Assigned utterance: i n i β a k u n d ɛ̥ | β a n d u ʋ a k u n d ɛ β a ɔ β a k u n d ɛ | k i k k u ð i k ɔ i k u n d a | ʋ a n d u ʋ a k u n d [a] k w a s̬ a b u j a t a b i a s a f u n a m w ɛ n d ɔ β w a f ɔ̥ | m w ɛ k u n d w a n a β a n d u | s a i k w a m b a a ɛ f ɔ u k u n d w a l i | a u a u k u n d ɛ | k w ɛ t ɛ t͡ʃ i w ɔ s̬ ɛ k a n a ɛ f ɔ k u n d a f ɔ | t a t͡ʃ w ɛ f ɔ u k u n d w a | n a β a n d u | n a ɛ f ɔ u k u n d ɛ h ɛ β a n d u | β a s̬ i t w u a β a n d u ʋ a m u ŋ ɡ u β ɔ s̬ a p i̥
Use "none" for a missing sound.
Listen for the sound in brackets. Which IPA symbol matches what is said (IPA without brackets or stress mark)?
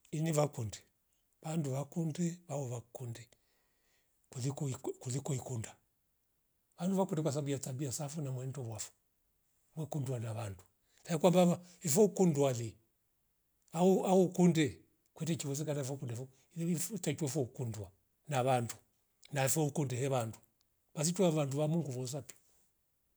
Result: ɛ